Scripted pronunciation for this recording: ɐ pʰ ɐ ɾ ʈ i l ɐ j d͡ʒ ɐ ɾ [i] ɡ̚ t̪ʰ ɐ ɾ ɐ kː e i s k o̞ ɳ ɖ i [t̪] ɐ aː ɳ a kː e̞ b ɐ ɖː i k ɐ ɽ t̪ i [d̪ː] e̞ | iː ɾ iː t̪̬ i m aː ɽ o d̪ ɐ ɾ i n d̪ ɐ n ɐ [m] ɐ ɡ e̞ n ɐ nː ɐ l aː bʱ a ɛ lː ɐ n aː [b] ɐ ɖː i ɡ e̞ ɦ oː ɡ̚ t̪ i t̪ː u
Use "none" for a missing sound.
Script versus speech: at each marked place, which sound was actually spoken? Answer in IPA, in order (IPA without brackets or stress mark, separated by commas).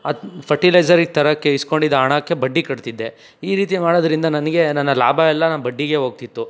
i, d̪, d̪ː, n, b